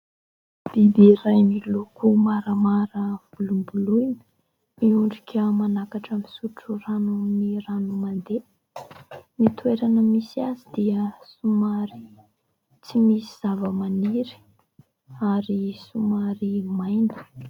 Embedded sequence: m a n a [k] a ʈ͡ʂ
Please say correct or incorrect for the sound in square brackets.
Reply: correct